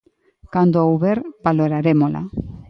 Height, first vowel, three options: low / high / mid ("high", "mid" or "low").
low